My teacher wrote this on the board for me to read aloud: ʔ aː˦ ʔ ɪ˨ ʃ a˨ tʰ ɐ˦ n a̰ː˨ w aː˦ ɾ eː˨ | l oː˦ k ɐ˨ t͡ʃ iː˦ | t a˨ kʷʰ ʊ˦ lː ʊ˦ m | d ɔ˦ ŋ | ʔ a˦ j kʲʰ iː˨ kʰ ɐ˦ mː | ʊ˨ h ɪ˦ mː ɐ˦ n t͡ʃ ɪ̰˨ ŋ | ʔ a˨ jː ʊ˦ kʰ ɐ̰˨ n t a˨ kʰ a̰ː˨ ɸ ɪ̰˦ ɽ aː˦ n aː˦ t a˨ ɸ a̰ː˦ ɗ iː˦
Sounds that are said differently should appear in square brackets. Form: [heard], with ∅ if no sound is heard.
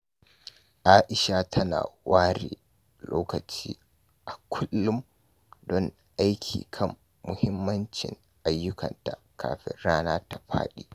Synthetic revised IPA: ʔ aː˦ ʔ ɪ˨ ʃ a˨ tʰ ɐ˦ n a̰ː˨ w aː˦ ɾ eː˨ | l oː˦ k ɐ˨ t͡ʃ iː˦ | [ʔ] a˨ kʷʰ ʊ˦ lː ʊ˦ m | d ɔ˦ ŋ | ʔ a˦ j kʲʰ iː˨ kʰ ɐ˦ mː | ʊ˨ h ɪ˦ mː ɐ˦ n t͡ʃ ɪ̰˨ ŋ | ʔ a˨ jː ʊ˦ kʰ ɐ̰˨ n t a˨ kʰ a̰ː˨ ɸ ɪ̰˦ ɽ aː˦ n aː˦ t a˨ ɸ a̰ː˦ ɗ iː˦

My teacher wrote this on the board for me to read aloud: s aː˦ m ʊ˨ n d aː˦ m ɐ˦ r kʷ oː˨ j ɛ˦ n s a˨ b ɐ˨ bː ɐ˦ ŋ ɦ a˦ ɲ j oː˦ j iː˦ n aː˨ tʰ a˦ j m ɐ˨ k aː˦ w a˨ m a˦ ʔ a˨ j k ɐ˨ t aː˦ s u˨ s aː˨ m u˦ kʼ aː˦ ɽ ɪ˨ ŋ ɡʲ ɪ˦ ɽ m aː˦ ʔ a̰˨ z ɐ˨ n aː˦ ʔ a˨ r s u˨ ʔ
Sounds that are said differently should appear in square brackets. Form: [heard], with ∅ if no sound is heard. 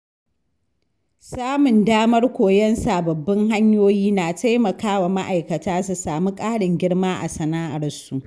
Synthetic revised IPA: s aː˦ m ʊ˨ n d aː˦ m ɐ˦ r kʷ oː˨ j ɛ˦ n s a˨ b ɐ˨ bː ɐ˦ ŋ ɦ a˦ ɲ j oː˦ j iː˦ n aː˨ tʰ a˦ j m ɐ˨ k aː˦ w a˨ m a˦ ʔ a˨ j k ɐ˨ t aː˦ s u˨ s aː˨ m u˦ kʼ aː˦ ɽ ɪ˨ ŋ ɡʲ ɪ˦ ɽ m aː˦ ʔ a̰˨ [s] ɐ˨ n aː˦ ʔ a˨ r s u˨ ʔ

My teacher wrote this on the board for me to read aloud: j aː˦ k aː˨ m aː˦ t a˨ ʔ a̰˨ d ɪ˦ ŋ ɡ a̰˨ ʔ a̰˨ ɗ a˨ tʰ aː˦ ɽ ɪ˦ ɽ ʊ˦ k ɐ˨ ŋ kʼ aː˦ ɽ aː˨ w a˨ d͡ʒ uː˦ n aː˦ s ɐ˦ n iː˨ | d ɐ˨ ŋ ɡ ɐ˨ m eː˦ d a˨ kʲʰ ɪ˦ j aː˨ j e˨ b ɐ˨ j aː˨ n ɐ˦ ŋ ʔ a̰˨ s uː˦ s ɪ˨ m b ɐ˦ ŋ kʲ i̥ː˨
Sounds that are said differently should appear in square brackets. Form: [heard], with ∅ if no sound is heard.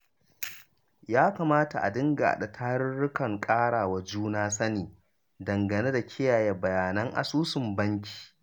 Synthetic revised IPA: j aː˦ k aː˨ m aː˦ t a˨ ʔ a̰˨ d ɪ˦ ŋ ɡ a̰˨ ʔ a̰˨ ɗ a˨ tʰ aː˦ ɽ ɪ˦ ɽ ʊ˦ k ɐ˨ ŋ kʼ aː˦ ɽ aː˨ w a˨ d͡ʒ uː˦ n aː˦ s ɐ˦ n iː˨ | d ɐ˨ ŋ ɡ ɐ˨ [n] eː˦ d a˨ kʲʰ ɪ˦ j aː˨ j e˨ b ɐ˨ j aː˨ n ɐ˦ ŋ ʔ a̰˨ s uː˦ s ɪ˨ m b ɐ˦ ŋ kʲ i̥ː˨

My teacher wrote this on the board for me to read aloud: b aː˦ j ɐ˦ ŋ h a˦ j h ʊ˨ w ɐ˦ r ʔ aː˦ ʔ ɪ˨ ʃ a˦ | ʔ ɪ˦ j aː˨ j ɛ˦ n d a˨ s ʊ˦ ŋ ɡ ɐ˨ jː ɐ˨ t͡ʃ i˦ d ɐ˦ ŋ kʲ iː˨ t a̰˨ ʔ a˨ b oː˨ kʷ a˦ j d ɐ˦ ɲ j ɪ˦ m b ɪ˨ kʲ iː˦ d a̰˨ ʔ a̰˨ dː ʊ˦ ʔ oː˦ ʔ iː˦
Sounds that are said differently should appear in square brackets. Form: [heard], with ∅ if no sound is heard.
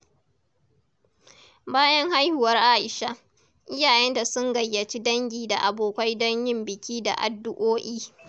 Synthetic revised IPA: b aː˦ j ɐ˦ ŋ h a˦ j h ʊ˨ w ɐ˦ r ʔ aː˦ ʔ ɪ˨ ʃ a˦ | ʔ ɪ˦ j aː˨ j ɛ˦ n d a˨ s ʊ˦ ŋ ɡ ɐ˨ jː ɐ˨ t͡ʃ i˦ d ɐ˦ ŋ [ɡʲ] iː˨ [d] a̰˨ ʔ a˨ b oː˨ kʷ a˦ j d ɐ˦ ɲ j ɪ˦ m b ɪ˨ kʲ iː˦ d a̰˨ ʔ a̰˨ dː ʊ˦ ʔ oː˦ ʔ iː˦

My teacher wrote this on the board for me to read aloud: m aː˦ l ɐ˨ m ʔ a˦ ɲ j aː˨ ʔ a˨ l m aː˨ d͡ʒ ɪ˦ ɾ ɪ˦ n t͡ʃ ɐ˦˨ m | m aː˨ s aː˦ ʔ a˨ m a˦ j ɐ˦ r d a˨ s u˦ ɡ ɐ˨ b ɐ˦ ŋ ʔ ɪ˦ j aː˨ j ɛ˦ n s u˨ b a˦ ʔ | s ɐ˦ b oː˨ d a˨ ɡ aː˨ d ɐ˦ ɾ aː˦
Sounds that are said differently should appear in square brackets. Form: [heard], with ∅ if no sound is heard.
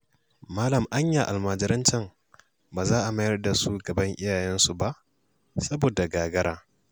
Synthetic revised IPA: m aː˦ l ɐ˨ m ʔ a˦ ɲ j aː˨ ʔ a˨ l m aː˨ d͡ʒ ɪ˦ ɾ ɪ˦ n t͡ʃ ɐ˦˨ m | [b] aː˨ [z] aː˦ ʔ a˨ m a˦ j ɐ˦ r d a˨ s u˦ ɡ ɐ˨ b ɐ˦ ŋ ʔ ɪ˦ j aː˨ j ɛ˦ n s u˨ b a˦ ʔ | s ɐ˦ b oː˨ d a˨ ɡ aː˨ [ɡ] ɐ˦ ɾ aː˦

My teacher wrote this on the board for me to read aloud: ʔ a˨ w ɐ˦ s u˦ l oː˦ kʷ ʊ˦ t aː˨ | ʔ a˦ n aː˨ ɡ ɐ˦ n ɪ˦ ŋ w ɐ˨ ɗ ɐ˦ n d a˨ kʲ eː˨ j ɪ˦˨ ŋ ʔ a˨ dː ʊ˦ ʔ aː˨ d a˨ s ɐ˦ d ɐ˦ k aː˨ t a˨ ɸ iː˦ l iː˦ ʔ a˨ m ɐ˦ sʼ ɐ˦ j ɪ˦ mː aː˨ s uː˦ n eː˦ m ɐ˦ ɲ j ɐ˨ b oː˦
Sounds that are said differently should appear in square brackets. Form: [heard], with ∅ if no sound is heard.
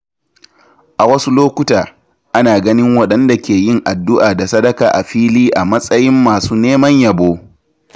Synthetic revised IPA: ʔ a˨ w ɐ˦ s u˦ l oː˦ kʷ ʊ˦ t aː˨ | ʔ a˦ n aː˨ ɡ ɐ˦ n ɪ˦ ŋ w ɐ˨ ɗ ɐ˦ n d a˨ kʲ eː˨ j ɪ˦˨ ŋ ʔ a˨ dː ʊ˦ ʔ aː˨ d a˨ s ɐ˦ d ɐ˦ k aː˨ [ʔ] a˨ ɸ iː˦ l iː˦ ʔ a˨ m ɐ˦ sʼ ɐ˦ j ɪ˦ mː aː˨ s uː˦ n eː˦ m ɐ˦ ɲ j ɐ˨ b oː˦

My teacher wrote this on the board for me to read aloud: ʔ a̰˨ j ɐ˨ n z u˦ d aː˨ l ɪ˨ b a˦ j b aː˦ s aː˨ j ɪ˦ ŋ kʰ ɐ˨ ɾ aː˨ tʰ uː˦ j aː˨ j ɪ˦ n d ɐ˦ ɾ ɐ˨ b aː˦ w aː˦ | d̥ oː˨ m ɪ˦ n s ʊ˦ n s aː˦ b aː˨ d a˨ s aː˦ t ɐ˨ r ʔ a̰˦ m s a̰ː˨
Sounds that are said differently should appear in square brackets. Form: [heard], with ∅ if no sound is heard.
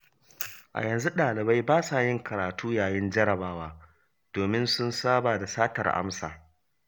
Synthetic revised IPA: ʔ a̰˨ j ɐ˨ n z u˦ [ɗ] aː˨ l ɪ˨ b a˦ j b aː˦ s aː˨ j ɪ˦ ŋ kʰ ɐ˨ ɾ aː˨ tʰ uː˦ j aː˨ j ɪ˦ n [d͡ʒ] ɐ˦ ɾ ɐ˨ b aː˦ w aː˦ | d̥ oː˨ m ɪ˦ n s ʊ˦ n s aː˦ b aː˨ d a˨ s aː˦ t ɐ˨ r ʔ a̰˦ m s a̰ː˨

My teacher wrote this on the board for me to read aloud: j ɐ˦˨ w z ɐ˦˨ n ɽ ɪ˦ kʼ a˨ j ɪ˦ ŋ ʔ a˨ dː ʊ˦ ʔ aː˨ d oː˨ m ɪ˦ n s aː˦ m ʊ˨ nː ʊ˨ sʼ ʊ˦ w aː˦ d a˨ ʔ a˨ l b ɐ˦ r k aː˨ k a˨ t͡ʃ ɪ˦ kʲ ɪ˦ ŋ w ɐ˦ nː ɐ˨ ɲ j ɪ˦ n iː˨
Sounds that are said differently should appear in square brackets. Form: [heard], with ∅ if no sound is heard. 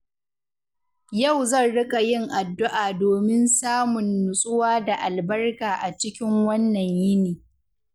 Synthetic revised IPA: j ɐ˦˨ w z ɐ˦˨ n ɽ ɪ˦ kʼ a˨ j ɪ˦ ŋ ʔ a˨ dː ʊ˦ ʔ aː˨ d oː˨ m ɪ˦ n s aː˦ m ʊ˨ nː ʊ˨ sʼ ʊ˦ w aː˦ d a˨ ʔ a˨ l b ɐ˦ r k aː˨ [ʔ] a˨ t͡ʃ ɪ˦ kʲ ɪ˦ ŋ w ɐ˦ nː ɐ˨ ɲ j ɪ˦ n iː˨

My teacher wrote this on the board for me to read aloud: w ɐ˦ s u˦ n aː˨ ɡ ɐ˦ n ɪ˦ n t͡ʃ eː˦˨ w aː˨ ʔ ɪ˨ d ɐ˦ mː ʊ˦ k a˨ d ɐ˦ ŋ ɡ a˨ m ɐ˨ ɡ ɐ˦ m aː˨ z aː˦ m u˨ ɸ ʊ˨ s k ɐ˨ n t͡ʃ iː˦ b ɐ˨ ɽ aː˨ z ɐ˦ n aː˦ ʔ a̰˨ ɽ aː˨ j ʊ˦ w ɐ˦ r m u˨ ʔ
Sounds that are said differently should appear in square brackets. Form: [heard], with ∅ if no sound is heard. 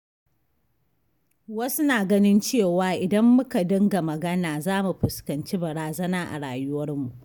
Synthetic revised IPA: w ɐ˦ s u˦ n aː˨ ɡ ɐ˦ n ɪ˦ n t͡ʃ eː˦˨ w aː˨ ʔ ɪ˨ d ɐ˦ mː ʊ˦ k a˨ d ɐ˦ ŋ ɡ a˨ m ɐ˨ ɡ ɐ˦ [n] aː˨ z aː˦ m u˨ ɸ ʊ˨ s k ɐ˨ n t͡ʃ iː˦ b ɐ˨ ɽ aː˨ z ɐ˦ n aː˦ ʔ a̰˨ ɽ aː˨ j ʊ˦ w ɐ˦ r m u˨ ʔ

